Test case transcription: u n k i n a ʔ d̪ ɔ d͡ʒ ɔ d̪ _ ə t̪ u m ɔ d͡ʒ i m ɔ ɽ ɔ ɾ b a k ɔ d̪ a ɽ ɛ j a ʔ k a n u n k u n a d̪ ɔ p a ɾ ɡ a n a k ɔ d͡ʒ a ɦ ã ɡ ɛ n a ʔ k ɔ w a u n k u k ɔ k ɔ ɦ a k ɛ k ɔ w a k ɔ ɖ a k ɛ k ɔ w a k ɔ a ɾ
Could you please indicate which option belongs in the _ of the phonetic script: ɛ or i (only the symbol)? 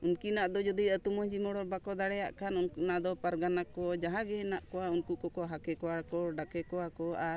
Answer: i